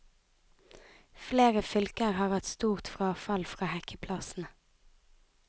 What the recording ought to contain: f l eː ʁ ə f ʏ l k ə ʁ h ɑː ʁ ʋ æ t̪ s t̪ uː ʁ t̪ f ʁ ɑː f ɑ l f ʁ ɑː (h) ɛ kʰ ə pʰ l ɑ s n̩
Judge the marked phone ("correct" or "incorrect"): correct